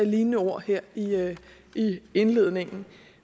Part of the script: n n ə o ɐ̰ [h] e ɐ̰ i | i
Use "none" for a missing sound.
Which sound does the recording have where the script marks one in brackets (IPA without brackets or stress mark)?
h